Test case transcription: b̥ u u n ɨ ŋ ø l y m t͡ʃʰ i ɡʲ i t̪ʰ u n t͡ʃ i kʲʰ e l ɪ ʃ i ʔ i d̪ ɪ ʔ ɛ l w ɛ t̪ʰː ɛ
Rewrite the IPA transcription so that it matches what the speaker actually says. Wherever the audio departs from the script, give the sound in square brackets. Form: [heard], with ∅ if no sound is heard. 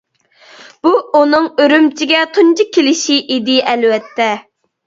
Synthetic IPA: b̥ u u n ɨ ŋ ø [ɾ] y m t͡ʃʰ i ɡʲ [ɛ] t̪ʰ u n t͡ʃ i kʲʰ e l ɪ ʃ i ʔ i d̪ ɪ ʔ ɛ l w ɛ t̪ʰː ɛ